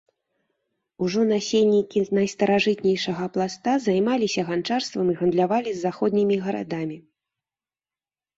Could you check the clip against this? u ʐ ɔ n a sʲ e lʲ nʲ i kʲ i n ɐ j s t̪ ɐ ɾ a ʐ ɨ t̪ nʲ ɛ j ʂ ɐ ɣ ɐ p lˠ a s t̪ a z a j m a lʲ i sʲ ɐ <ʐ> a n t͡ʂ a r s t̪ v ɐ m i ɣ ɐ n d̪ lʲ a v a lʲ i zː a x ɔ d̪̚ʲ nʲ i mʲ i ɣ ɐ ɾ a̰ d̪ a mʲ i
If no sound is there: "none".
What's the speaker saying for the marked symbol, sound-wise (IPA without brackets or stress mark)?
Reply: ɣ